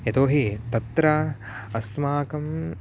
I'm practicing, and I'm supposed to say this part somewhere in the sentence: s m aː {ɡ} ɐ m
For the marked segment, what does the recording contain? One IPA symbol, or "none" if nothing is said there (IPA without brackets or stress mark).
k